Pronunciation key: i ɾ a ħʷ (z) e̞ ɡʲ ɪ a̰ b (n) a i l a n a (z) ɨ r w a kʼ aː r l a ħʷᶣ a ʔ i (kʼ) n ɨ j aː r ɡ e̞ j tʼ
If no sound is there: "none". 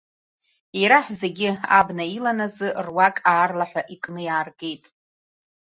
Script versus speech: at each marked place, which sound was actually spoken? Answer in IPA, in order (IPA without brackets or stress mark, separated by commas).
z, n, z, kʼ